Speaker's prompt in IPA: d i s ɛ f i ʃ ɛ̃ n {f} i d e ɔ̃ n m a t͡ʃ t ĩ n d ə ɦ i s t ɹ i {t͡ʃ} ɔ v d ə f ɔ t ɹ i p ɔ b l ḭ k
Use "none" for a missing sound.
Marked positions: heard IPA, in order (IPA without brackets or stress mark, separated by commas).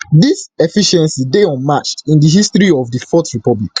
s, none